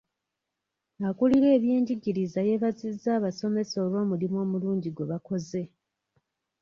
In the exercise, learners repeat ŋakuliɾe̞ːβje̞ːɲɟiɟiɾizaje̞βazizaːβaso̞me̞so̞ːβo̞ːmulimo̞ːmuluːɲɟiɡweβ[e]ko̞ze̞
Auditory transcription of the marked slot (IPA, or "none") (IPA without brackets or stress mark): a